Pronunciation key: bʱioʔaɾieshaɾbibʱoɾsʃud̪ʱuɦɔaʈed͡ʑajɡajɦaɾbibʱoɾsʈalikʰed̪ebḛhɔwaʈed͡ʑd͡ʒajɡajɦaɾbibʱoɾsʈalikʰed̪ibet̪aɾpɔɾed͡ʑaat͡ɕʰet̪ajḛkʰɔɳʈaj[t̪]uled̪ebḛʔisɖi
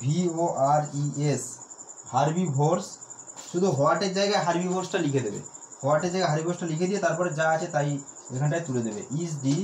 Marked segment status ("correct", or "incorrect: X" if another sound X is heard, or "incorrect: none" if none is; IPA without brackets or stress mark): correct